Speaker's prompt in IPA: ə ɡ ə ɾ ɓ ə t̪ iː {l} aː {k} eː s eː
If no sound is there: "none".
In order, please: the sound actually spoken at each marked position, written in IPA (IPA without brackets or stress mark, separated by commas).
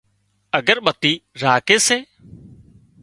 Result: ɾ, k